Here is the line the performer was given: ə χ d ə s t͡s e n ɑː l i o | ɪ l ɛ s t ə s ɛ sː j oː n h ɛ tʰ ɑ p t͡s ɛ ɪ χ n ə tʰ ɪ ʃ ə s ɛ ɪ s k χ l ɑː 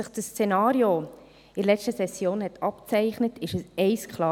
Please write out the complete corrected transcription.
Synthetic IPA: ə χ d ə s t͡s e n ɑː ɾ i o | ɪ l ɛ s t ə s ɛ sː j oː n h ɛ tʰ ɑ p t͡s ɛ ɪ χ n ə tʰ ɪ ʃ ə s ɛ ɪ s k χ l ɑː